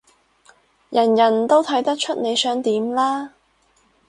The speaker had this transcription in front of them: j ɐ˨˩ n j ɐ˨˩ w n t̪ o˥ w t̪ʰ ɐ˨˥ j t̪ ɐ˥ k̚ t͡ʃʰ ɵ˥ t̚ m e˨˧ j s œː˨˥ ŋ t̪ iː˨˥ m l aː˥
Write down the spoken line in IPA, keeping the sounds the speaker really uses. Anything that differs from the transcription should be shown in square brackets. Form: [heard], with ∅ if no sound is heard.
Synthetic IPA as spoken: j ɐ˨˩ n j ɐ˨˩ [∅] n t̪ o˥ w t̪ʰ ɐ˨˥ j t̪ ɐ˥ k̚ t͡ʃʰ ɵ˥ t̚ [n] e˨˧ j s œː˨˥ ŋ t̪ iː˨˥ m l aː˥